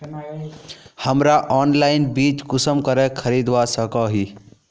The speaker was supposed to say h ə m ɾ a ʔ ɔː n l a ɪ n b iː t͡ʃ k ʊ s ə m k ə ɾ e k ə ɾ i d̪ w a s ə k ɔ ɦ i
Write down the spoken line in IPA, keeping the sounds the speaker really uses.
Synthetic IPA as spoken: h ə m ɾ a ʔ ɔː n l a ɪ n b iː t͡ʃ k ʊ s ə m k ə ɾ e kʰ ə ɾ i d̪ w a s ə k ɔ ɦ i

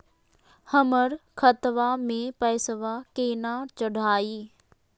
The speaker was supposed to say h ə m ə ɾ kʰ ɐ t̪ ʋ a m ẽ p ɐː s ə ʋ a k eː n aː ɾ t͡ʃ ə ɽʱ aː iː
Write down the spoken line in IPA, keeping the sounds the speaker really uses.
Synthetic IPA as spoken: h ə m ə ɾ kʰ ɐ t̪ ʋ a m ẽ p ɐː s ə ʋ a k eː n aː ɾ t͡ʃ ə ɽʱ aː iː

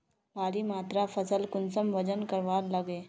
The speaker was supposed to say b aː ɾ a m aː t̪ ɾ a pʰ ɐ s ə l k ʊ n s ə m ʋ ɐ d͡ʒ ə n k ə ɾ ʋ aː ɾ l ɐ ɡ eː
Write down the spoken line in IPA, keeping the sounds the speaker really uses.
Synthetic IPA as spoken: b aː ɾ i m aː t̪ ɾ a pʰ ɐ s ə l k ʊ n s ə m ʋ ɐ d͡ʒ ə n k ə ɾ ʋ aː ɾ l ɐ ɡ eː

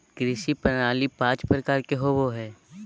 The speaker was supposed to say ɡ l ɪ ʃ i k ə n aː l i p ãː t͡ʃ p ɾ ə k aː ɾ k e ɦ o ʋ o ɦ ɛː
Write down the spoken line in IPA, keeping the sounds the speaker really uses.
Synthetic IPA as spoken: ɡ ɾ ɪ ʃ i p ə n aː l i p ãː t͡ʃ p ɾ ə k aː ɾ k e ɦ o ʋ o ɦ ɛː

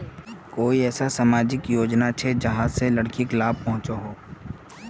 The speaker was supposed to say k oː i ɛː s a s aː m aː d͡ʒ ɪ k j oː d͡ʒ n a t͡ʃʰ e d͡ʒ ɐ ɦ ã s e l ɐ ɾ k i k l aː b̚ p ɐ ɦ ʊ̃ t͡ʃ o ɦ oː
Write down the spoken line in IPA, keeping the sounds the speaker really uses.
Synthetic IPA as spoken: k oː i ɛː s a s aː m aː d͡ʒ ɪ k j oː d͡ʒ n a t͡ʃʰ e d͡ʒ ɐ ɦ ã s e l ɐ ɽ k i k l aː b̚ p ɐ ɦ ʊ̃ t͡ʃ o ɦ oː

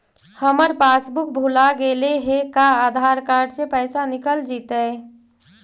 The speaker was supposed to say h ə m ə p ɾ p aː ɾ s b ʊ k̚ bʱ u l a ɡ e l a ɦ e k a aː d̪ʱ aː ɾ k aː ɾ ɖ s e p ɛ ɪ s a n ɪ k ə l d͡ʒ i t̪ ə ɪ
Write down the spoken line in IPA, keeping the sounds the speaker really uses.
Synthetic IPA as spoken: h ə m ə ɾ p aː s b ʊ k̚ bʱ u l a ɡ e l e ɦ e k a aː d̪ʱ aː ɾ k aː ɾ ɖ s e p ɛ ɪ s a n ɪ k ə l d͡ʒ i t̪ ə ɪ

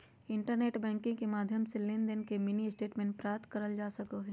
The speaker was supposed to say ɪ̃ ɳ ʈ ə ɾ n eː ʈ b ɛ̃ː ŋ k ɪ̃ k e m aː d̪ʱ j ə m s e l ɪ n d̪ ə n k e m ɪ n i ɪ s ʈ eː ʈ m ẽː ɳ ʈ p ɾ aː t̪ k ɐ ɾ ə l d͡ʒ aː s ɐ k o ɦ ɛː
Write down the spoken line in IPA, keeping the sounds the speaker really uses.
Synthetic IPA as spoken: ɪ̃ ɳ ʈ ə ɾ n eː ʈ b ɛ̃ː ŋ k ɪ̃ k e m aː d̪ʱ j ə m s e l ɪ n d̪ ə n k e m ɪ n i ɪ s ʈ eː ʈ m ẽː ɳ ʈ p ɾ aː t̪ k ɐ ɾ ə l d͡ʒ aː s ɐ k o ɦ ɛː

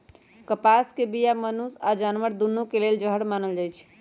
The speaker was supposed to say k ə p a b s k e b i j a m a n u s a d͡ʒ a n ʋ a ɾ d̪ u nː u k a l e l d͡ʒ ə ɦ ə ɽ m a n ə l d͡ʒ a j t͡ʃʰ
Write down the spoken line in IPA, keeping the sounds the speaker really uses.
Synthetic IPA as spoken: k ə p a s k e b i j a m ə n u s a d͡ʒ a n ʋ ə ɾ d̪ u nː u k e l e l d͡ʒ ə ɦ ə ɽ m a n ə l d͡ʒ a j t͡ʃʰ

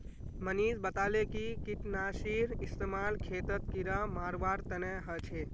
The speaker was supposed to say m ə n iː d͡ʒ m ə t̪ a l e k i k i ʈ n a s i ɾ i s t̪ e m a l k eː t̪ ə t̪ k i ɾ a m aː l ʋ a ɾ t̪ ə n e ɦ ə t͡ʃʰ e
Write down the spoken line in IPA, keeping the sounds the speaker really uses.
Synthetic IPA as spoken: m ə n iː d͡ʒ b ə t̪ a l e k i k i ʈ n a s i ɾ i s t̪ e m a l kʰ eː t̪ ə t̪ k i ɾ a m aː ɾ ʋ a ɾ t̪ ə n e ɦ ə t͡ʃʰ e

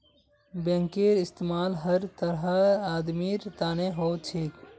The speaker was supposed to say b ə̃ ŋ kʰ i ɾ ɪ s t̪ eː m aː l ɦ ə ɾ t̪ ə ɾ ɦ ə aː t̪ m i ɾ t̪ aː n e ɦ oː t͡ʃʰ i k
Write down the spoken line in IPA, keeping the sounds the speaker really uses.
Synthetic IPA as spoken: b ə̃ ŋ k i ɾ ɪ s t̪ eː m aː l ɦ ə ɾ t̪ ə ɾ ɦ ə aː d̪ m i ɾ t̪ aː n e ɦ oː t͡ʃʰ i k

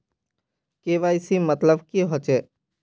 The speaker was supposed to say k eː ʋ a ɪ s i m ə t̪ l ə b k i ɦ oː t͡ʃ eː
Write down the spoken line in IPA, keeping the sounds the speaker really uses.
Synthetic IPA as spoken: k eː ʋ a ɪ s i m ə t̪ l ə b k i ɦ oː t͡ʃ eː

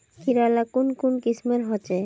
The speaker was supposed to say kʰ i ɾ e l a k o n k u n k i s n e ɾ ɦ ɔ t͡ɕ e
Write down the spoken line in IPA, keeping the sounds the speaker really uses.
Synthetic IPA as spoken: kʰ i ɾ a l a k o n k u n k i s m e ɾ ɦ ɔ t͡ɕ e

